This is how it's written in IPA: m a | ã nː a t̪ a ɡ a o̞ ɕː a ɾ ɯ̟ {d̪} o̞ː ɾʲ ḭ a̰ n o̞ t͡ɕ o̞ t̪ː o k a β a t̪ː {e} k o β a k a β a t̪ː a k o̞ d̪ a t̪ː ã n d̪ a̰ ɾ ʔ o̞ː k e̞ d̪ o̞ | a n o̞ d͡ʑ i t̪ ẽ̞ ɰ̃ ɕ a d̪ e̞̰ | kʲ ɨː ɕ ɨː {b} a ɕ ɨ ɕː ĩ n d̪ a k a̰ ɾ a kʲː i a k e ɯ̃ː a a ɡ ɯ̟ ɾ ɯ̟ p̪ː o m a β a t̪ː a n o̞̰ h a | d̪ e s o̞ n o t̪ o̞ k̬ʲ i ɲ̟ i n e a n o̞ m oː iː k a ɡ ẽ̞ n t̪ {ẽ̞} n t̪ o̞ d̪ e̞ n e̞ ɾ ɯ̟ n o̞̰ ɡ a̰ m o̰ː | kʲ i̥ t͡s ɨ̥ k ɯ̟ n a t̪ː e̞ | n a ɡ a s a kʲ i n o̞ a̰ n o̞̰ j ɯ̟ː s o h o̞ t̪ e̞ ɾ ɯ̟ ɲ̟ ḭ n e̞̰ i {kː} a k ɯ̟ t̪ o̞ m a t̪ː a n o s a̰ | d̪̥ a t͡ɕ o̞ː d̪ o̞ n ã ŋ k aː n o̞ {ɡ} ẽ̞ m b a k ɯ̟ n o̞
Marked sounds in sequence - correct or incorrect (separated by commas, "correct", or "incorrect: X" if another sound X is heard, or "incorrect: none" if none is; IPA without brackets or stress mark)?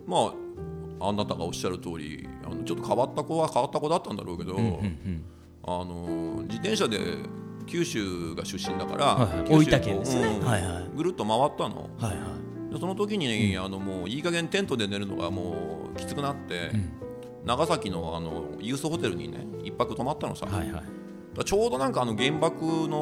incorrect: t̪, incorrect: a, incorrect: ɡ, correct, incorrect: pː, correct